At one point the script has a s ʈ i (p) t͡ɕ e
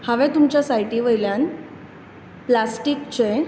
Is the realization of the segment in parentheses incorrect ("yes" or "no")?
yes